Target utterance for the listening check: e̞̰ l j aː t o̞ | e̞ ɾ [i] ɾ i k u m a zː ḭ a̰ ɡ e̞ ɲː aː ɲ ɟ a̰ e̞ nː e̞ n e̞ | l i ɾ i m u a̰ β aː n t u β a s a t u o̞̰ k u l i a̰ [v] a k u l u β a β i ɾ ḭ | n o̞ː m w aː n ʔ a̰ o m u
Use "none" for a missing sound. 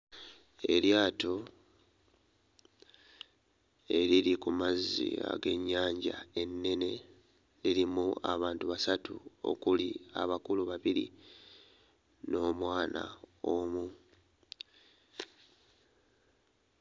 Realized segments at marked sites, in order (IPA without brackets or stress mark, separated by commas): i, β